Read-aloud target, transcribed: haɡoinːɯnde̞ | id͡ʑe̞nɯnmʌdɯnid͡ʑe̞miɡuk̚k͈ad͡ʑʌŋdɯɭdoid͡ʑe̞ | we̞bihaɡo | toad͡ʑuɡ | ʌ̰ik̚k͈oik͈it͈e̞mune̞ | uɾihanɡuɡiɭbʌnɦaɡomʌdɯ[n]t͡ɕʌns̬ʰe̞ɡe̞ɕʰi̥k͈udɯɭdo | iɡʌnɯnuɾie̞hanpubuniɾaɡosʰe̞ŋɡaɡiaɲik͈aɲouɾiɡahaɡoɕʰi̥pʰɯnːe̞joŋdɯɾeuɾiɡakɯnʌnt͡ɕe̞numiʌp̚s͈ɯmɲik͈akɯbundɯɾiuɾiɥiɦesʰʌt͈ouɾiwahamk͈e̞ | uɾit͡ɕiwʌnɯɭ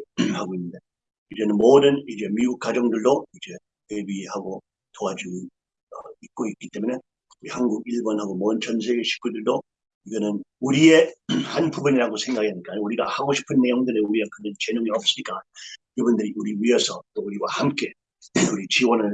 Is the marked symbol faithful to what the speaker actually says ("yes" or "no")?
yes